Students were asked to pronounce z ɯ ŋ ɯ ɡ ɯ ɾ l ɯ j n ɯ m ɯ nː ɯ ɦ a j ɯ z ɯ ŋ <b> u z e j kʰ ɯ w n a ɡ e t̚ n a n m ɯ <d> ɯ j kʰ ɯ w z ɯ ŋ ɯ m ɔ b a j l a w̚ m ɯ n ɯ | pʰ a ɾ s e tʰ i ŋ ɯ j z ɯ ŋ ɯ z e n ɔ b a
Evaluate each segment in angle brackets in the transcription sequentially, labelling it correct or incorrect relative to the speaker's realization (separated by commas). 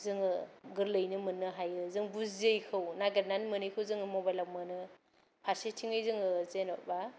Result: correct, incorrect